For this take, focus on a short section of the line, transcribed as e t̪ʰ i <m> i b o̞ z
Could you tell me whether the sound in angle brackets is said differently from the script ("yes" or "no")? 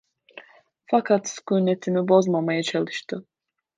no